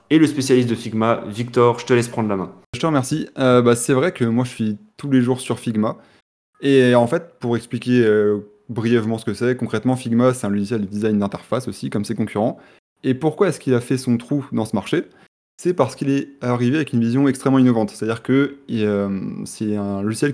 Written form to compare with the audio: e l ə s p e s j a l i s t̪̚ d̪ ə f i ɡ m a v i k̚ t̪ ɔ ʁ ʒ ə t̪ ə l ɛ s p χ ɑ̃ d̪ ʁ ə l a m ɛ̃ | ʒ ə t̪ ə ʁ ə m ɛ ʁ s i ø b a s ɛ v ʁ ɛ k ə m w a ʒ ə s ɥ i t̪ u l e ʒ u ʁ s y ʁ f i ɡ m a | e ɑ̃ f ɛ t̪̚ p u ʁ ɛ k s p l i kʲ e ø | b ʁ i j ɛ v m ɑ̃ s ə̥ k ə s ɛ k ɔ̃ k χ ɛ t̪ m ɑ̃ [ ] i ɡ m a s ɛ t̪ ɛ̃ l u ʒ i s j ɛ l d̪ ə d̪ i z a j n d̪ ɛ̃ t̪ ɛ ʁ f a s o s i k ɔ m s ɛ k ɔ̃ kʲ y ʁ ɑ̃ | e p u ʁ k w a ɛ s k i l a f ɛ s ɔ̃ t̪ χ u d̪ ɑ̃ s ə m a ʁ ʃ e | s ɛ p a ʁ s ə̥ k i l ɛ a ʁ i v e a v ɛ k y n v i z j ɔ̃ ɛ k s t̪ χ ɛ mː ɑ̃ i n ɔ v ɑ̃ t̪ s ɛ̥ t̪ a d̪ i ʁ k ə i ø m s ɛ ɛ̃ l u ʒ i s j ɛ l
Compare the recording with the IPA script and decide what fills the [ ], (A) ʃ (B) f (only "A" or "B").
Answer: B